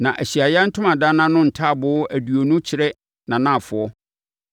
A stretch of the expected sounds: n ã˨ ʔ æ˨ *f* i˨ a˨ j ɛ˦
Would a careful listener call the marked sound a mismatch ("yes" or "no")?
yes